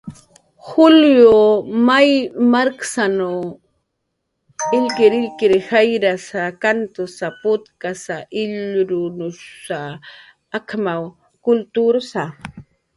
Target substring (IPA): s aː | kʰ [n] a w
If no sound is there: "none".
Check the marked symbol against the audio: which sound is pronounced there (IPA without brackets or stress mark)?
m